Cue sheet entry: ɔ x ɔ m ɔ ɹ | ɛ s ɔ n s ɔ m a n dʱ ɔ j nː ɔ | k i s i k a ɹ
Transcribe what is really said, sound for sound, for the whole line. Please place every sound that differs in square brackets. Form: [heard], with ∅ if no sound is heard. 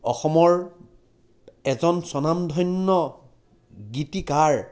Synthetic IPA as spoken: ɔ x ɔ m ɔ ɹ | ɛ [z] ɔ n s ɔ [n] a [m] dʱ ɔ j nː ɔ | [ɡ] i [t] i k a ɹ